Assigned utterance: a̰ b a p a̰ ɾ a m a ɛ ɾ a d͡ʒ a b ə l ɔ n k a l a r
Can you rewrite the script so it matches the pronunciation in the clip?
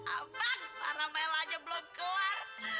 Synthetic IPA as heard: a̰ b a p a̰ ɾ a m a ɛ l a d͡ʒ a b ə l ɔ m k ə l a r